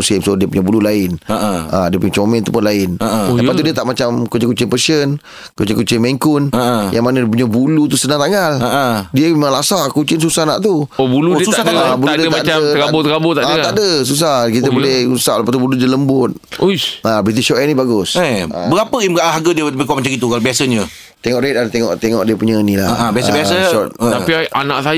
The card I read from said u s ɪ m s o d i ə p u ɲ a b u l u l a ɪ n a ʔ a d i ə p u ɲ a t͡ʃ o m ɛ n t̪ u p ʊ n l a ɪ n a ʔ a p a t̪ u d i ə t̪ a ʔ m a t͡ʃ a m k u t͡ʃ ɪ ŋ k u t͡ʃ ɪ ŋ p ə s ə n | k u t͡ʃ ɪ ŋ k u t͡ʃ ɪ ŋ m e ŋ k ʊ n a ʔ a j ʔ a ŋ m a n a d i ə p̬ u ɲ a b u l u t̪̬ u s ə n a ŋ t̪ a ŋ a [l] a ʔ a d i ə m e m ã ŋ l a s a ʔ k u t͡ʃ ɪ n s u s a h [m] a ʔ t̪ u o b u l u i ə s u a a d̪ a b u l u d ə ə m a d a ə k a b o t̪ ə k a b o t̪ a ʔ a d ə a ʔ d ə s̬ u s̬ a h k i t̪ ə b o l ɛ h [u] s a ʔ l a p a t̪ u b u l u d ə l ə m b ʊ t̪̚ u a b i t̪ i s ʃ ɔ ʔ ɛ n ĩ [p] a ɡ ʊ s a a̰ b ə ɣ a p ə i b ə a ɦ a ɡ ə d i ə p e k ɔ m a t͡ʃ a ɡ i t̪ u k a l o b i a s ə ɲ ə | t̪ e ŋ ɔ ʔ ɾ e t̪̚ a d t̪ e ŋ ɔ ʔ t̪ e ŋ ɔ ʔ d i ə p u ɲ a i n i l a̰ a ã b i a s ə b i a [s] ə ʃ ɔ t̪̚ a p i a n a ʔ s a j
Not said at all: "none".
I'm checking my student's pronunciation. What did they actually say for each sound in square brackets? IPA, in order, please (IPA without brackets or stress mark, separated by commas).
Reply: l, n, u, b, s